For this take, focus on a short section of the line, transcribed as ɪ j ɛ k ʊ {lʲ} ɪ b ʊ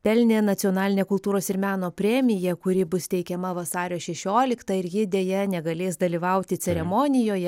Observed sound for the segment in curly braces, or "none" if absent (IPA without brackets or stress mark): ɾʲ